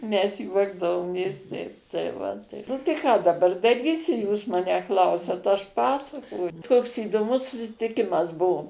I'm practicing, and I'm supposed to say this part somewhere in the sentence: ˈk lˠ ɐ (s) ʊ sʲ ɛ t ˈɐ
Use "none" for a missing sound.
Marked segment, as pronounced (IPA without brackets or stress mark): none